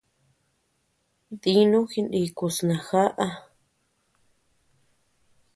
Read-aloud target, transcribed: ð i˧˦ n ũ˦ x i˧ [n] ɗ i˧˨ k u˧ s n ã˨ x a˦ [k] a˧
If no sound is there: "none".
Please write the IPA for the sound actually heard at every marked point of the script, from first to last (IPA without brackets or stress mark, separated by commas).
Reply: n, ʔ